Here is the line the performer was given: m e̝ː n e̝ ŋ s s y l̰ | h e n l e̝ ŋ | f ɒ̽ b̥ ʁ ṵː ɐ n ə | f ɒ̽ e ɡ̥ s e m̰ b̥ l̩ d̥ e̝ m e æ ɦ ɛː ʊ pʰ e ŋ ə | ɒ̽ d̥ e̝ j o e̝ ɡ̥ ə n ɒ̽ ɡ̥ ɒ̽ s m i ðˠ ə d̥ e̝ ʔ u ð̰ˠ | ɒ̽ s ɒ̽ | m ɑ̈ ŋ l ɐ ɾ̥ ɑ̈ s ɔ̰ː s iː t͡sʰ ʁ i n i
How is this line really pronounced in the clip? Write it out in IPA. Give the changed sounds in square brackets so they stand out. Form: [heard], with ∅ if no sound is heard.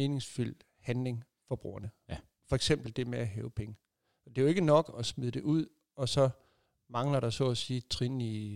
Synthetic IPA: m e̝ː n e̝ ŋ s [f] y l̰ | h [æ] n l e̝ ŋ | f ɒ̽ b̥ ʁ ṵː ɐ n ə | f ɒ̽ e ɡ̥ s e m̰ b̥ l̩ d̥ e̝ m e æ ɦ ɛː ʊ pʰ e ŋ ə | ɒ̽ d̥ e̝ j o e̝ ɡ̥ ə n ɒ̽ ɡ̥ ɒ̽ s m i ðˠ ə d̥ e̝ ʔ u ð̰ˠ | ɒ̽ s ɒ̽ | m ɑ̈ ŋ l ɐ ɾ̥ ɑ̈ s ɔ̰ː s iː t͡sʰ ʁ i n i